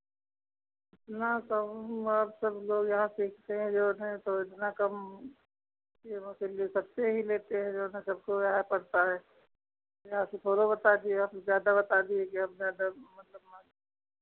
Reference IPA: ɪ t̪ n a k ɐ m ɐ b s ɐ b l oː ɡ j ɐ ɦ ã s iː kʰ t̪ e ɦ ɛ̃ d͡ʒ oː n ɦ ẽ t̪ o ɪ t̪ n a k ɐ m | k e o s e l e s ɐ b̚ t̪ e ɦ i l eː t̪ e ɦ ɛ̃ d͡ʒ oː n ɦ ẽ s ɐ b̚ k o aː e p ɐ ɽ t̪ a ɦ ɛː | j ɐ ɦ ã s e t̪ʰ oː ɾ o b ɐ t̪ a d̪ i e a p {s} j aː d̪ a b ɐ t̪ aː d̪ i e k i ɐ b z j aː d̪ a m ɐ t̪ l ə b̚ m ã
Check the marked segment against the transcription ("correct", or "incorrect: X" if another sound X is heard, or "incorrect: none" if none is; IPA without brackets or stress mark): incorrect: z